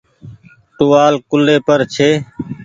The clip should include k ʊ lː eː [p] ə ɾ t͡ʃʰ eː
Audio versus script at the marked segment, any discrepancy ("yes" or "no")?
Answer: no